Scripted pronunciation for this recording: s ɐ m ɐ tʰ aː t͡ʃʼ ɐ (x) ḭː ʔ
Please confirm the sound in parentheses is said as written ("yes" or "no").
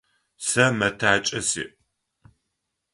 no